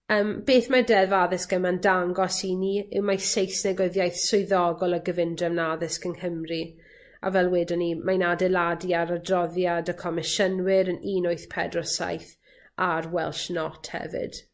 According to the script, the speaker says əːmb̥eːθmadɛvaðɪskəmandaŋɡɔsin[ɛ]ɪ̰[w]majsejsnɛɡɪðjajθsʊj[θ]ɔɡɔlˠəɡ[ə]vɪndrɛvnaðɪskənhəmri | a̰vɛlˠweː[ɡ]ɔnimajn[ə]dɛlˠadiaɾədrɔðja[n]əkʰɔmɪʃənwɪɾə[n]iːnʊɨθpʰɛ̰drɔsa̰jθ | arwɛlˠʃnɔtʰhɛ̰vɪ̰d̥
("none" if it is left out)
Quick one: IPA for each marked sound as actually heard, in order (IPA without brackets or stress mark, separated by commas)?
i, w, ð, ə, d, a, d, n